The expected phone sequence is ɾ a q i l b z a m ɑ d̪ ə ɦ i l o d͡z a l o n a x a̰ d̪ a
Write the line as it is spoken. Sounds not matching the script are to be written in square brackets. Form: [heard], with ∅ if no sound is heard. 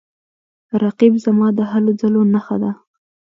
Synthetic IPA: ɾ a q i [∅] b z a m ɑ d̪ ə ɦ [a] l o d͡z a l o n a x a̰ d̪ a